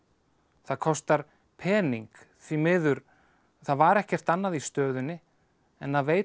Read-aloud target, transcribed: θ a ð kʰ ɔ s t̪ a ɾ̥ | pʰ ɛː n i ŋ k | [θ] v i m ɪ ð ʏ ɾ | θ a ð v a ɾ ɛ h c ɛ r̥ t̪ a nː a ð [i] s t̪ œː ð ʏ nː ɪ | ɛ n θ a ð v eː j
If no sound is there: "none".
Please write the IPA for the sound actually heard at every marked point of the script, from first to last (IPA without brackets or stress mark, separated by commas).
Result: θ, i